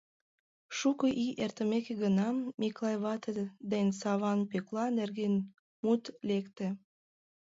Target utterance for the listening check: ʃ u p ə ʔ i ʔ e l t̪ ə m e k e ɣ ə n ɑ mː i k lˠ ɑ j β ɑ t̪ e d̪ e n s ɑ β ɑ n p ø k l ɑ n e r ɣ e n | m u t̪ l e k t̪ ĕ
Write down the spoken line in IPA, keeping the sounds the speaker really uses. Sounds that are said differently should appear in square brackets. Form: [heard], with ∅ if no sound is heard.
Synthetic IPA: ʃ u [k] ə ʔ i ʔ e [r] t̪ ə m e k e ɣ ə n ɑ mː i k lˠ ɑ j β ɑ t̪ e d̪ e n s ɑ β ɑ n p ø k l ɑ n e r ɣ e n | m u t̪ l e k t̪ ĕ